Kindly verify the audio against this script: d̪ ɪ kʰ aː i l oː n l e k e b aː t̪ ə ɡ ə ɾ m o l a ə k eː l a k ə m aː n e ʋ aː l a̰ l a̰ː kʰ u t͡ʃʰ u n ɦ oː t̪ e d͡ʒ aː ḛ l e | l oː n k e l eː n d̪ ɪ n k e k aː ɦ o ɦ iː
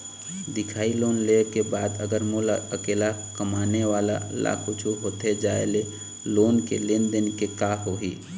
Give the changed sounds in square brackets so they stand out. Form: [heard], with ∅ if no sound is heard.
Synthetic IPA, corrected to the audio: d̪ ɪ kʰ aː i l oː n l e k e b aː [d̪] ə ɡ ə ɾ m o l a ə k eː l a k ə m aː n e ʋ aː l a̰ l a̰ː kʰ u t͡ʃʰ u [∅] ɦ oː t̪ e d͡ʒ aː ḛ l e | l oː n k e l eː n d̪ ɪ n k e k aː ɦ o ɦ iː

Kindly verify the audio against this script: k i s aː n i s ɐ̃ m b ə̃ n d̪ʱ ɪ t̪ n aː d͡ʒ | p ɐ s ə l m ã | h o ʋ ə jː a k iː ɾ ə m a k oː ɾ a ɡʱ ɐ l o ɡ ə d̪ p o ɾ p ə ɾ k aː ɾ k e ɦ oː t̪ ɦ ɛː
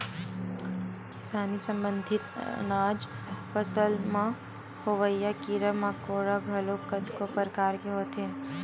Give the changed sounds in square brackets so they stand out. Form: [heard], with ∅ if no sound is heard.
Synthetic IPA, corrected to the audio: k [ɪ] s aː n i s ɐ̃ m b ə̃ n d̪ʱ ɪ t̪ n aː d͡ʒ | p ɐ s ə l m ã | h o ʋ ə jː a k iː ɾ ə m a k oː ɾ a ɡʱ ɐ l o [k] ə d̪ [k] o [∅] p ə ɾ k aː ɾ k e ɦ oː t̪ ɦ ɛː

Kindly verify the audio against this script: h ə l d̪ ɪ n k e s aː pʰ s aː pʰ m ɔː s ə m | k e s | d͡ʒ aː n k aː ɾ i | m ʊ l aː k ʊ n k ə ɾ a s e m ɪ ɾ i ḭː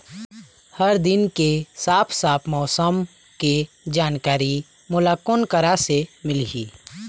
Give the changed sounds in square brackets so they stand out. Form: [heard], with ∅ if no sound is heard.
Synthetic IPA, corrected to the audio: h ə [ɾ] d̪ ɪ n k e s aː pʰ s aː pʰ m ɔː s ə m | k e [∅] | d͡ʒ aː n k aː ɾ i | m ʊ l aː k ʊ n k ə ɾ a s e m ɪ [l] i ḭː

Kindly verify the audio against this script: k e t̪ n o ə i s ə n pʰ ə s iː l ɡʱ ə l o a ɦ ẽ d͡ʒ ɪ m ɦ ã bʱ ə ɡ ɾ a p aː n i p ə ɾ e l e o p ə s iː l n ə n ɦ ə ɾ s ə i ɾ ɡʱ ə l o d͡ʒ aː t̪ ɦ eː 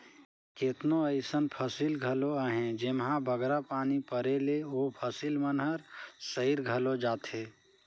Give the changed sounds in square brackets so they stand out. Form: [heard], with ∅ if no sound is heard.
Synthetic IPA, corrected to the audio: k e t̪ n o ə [ɪ] s ə n pʰ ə s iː l ɡʱ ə l o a ɦ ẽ d͡ʒ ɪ m ɦ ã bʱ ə ɡ ɾ a p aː n i p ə ɾ e l e o [pʰ] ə s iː l [m] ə n ɦ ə ɾ s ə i ɾ ɡʱ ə l o d͡ʒ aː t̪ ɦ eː

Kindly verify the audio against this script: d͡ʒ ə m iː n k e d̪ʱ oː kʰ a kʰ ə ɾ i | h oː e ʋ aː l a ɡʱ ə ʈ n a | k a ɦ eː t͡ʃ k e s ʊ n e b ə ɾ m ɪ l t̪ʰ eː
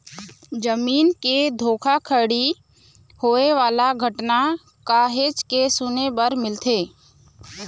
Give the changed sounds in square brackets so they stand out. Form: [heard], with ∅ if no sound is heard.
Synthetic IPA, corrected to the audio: d͡ʒ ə m iː n k e d̪ʱ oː kʰ a kʰ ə [ɽ] i | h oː e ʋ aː l a ɡʱ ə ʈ n a | k a ɦ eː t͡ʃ k e s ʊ n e b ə ɾ m ɪ l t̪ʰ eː

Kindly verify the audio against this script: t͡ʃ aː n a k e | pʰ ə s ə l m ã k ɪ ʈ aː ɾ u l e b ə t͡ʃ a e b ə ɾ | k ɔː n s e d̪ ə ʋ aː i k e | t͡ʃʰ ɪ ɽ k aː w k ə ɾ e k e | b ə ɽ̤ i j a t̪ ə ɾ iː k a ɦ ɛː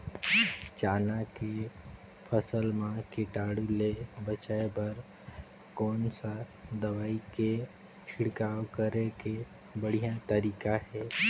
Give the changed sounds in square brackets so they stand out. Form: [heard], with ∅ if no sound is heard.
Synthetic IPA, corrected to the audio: t͡ʃ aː n a k e | pʰ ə s ə l m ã k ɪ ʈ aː [ɽ] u l e b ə t͡ʃ a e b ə ɾ | k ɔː n s [a] d̪ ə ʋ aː i k e | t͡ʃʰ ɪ ɽ k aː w k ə ɾ e k e | b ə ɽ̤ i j a t̪ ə ɾ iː k a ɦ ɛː

